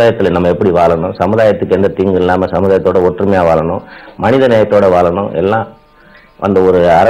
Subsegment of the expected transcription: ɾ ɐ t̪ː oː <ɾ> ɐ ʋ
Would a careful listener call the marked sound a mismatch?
yes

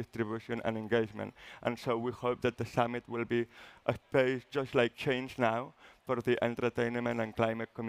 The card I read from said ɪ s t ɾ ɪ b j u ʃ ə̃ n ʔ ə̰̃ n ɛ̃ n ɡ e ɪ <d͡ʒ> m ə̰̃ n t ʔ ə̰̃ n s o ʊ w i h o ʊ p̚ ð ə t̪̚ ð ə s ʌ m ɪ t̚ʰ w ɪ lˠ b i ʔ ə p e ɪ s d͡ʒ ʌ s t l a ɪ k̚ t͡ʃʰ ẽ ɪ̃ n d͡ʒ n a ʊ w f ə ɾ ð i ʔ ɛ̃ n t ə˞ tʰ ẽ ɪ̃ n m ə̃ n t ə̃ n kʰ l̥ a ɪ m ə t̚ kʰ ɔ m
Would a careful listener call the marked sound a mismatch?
no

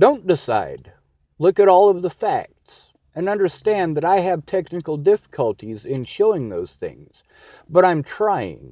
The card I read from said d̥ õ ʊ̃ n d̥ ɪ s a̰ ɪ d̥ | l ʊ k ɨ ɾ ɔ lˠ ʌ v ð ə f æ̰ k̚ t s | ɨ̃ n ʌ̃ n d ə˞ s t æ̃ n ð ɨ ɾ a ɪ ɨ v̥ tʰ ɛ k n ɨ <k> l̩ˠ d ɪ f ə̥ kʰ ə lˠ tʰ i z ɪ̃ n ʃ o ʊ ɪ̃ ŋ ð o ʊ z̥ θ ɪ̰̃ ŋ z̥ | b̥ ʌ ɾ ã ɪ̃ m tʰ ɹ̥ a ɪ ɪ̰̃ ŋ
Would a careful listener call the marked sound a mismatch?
no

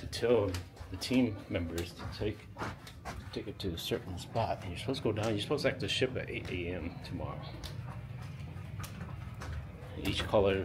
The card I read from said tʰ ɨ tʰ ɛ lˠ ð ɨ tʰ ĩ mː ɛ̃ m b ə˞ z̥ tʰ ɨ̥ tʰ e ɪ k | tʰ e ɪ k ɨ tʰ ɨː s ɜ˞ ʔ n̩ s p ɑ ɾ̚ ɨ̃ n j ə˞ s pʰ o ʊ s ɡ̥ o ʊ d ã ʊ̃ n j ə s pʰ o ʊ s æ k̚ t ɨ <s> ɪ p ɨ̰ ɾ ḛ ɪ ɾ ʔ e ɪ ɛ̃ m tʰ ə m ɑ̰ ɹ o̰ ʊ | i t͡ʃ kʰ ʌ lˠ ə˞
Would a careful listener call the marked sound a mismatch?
yes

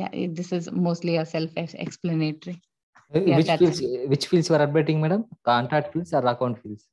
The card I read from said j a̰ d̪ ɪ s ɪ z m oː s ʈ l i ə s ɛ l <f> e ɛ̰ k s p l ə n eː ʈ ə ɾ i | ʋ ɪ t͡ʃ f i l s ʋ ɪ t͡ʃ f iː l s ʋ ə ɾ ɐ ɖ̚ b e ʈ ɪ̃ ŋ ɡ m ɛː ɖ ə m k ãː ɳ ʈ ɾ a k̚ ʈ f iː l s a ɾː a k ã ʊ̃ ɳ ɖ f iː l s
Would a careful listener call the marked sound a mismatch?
no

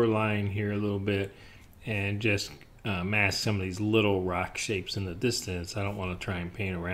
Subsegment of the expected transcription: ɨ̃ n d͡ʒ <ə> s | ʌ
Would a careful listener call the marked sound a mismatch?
yes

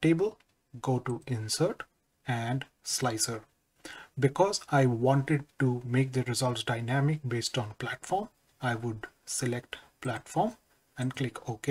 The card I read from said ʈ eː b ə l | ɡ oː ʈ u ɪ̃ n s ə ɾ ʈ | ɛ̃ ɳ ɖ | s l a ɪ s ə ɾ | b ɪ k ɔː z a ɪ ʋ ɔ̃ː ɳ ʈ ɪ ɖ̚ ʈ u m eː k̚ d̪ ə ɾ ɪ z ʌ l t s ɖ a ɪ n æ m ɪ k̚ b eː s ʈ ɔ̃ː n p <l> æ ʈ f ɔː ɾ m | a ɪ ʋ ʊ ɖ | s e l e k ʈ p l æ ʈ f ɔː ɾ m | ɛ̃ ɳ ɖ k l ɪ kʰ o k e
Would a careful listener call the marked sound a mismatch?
no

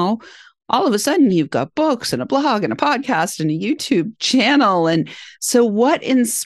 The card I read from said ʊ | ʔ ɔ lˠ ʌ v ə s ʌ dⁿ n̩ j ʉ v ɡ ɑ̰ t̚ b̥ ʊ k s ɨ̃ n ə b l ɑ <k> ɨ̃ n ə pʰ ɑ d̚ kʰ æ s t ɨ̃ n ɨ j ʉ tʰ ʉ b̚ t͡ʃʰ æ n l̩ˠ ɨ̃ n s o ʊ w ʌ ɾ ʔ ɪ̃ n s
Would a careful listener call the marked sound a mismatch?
yes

